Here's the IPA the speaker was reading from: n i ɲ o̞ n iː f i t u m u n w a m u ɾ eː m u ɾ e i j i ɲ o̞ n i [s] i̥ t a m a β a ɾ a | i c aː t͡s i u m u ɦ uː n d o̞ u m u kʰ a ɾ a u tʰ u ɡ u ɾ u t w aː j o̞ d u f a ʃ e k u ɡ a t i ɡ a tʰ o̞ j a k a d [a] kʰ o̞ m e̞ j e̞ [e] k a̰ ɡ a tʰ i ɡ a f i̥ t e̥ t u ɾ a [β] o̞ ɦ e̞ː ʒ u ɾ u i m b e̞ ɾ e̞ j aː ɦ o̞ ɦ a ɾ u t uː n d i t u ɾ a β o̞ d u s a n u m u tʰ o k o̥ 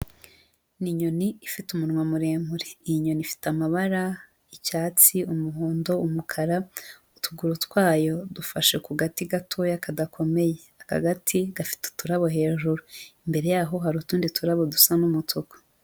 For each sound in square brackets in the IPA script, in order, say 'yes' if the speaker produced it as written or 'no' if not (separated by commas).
no, yes, no, yes